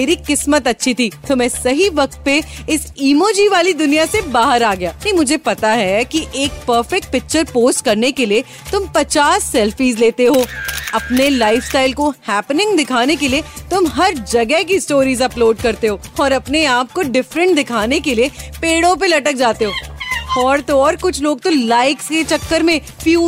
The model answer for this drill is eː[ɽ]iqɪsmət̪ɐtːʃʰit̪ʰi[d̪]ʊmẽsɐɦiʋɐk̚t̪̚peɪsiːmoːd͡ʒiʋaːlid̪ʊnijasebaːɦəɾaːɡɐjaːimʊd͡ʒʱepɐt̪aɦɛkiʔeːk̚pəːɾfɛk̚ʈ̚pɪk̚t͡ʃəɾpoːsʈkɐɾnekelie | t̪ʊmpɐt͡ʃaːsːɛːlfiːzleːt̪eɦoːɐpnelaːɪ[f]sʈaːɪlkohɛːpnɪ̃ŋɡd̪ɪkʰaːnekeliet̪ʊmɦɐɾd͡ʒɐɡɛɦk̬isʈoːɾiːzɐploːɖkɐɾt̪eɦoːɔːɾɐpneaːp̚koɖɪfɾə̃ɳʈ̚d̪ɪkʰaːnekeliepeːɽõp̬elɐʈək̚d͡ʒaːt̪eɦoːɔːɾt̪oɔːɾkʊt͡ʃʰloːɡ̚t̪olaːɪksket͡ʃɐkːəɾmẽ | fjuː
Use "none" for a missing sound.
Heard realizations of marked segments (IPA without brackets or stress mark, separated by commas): ɾ, t̪, f